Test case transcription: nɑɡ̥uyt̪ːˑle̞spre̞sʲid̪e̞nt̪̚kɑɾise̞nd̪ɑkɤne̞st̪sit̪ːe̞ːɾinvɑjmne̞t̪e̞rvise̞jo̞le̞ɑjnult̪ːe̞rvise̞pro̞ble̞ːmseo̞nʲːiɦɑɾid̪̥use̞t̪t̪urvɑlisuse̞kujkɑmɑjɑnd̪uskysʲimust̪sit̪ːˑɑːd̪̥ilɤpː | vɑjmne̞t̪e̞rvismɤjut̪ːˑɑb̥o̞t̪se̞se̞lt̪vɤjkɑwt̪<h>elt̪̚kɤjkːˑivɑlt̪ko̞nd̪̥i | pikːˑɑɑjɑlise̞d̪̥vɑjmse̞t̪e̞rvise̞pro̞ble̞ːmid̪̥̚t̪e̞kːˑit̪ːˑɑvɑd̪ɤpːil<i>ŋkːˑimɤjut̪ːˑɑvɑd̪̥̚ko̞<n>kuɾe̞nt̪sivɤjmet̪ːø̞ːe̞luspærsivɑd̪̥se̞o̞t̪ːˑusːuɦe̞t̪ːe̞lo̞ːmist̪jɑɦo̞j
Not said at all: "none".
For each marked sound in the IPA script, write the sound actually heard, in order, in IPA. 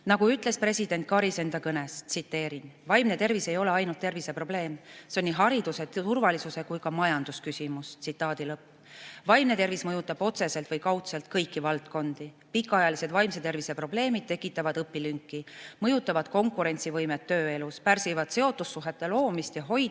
s, y, ŋ

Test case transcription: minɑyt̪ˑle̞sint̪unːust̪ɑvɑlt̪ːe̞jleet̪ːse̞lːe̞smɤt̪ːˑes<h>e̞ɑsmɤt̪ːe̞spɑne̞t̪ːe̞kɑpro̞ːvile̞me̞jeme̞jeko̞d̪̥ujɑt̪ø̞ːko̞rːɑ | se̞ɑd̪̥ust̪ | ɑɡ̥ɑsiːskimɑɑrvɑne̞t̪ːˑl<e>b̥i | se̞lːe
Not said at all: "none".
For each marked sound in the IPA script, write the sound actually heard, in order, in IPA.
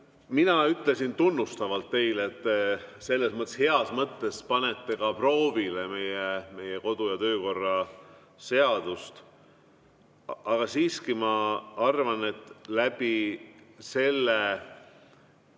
h, æ

